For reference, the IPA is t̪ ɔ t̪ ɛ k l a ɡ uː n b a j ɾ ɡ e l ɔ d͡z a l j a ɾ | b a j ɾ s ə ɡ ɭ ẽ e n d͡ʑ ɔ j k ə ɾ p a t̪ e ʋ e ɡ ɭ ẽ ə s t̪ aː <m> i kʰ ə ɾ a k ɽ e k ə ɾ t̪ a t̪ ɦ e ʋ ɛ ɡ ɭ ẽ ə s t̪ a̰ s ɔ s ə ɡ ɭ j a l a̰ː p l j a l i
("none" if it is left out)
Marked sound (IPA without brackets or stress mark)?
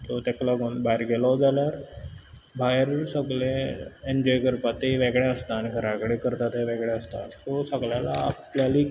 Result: n